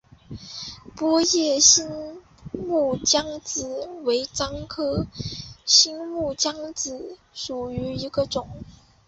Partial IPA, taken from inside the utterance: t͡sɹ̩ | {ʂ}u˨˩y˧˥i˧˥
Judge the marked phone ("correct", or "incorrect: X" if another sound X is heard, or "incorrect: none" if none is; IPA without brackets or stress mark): correct